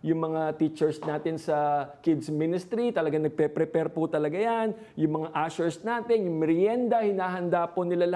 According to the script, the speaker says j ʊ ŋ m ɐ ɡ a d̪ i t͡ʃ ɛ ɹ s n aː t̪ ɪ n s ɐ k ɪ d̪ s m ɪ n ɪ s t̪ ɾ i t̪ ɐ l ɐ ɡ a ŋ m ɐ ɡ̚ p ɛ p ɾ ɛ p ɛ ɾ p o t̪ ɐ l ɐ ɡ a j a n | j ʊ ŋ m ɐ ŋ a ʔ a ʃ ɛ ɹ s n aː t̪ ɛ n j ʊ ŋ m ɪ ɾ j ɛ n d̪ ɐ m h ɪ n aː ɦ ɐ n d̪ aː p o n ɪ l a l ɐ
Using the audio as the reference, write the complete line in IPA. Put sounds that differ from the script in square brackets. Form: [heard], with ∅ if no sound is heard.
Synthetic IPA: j ʊ ŋ m ɐ [ŋ] a [t̪] i t͡ʃ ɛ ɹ s n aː t̪ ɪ n s ɐ k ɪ d̪ s m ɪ n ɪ s t̪ ɾ i t̪ ɐ l ɐ ɡ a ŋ [n] ɐ ɡ̚ p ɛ p ɾ ɛ p ɛ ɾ p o t̪ ɐ l ɐ ɡ a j a n | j ʊ ŋ m ɐ ŋ a ʔ a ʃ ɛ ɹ s n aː t̪ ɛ n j ʊ ŋ m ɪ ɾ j ɛ n d̪ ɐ [∅] h ɪ n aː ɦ ɐ n d̪ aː p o n ɪ l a l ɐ